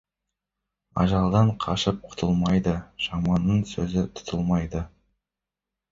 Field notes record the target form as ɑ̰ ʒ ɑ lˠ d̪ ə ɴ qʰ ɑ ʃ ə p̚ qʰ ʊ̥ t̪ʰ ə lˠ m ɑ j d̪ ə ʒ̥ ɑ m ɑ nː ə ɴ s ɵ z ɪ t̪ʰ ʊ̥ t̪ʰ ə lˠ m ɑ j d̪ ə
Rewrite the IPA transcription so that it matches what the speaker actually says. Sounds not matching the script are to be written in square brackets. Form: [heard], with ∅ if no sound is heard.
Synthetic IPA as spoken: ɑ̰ ʒ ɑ lˠ d̪ [ɑ] ɴ qʰ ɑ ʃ ə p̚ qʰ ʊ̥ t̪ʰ ə lˠ m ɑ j d̪ ə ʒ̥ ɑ m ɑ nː ə ɴ s ɵ z ɪ t̪ʰ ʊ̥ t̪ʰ ə lˠ m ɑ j d̪ ə